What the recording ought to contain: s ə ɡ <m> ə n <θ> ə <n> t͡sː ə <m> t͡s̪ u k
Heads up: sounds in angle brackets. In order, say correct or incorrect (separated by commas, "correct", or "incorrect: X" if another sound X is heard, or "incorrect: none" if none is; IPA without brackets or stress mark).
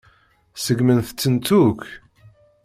correct, correct, incorrect: none, incorrect: n